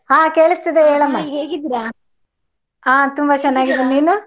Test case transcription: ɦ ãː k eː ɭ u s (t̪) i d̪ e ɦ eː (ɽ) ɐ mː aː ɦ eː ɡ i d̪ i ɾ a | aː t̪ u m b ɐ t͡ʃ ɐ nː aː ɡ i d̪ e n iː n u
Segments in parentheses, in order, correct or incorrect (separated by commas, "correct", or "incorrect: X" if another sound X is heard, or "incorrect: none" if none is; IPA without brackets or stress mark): correct, incorrect: ɭ